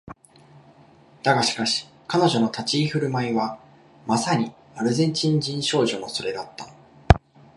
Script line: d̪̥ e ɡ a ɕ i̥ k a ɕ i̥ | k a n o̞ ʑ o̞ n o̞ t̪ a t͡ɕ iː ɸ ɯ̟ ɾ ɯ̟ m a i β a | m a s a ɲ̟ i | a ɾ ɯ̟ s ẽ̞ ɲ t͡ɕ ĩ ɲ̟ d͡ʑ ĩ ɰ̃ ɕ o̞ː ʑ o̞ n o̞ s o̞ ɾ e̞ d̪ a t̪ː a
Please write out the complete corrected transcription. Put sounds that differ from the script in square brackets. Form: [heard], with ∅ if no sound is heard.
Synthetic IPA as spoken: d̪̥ [a] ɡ a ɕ i̥ k a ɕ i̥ | k a n o̞ ʑ o̞ n o̞ t̪ a t͡ɕ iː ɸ ɯ̟ ɾ ɯ̟ m a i β a | m a s a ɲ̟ i | a ɾ ɯ̟ [z] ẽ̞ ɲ t͡ɕ ĩ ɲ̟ d͡ʑ ĩ ɰ̃ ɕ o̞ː ʑ o̞ n o̞ s o̞ ɾ e̞ d̪ a t̪ː a